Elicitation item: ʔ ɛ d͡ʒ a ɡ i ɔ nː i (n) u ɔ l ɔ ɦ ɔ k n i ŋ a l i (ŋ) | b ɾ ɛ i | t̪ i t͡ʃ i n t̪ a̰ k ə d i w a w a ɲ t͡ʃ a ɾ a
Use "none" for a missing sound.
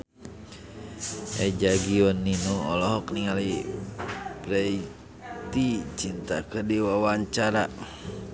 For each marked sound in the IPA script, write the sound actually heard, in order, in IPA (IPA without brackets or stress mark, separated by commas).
n, none